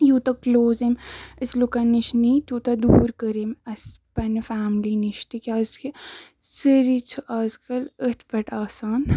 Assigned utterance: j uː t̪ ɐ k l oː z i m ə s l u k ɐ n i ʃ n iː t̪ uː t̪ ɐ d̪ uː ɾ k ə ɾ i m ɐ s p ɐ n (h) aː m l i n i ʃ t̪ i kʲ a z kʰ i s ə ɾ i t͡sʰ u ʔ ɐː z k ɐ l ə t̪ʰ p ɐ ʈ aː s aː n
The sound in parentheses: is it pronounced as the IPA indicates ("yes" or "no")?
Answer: no